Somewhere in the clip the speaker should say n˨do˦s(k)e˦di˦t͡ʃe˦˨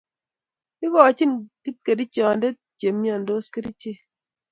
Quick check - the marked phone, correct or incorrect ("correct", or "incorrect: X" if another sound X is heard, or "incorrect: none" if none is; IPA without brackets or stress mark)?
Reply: correct